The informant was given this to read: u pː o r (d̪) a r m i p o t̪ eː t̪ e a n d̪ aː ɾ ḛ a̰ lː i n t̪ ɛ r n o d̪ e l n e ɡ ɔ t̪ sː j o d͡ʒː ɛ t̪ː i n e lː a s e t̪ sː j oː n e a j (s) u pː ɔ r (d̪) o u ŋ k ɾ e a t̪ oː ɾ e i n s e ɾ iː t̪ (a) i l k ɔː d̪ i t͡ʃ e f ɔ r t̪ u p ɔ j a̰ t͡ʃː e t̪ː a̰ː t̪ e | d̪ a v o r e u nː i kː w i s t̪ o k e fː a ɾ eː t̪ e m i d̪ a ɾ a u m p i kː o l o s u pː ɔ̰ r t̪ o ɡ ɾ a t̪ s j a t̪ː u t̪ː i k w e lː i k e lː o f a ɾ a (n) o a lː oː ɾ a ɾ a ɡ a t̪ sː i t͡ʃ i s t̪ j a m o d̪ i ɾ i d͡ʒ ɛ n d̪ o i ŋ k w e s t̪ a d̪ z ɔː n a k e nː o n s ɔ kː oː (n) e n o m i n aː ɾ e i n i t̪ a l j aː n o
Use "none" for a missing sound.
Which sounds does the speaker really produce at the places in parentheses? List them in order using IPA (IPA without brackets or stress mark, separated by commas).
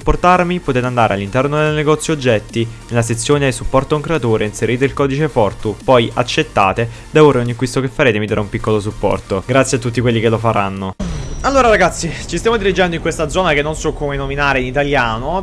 t̪, s, t̪, e, nː, m